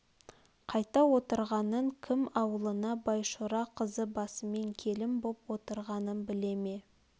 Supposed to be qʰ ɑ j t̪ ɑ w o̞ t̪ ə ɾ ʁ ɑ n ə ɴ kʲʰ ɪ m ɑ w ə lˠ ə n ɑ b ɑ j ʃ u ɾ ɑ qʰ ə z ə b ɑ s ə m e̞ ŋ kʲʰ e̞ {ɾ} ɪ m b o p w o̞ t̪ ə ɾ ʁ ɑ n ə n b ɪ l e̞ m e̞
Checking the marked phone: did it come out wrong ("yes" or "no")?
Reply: yes